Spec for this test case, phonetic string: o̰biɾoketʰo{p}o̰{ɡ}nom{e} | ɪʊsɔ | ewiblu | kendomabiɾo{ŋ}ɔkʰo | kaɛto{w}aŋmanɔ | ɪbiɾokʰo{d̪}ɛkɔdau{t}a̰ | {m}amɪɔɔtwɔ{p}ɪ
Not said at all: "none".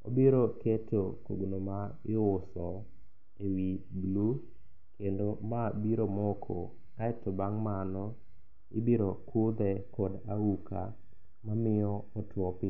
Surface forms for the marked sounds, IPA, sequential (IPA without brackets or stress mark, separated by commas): k, ɡ, a, m, b, d̪, k, m, p